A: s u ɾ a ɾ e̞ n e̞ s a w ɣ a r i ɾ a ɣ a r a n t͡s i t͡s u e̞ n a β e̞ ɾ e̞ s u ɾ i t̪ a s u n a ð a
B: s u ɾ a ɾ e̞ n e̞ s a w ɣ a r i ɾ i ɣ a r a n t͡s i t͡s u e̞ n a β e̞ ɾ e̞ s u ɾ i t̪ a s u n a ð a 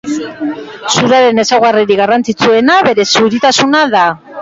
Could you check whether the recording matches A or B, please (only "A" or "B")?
B